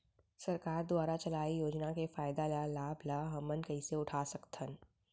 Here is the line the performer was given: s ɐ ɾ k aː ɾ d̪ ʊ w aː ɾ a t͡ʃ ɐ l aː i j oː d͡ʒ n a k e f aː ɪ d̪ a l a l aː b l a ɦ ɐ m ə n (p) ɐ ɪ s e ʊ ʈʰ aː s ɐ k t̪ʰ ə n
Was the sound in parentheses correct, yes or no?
no